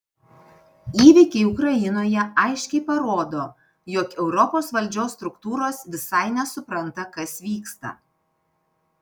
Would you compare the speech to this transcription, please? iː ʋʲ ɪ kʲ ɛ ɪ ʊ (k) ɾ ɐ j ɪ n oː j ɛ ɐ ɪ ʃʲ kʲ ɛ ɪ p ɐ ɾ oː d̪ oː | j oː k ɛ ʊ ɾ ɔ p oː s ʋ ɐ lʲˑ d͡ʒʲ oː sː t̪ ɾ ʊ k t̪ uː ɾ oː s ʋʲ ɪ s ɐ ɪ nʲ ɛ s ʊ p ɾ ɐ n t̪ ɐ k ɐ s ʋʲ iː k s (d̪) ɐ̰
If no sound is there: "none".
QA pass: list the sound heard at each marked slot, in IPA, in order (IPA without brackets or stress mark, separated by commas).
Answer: k, t̪